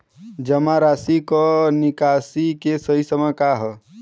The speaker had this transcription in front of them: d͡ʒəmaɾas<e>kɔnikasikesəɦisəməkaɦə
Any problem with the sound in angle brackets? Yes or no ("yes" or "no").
yes